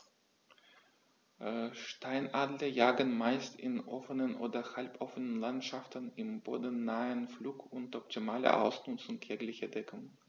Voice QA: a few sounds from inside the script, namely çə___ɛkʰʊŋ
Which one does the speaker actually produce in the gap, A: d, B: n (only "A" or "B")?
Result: A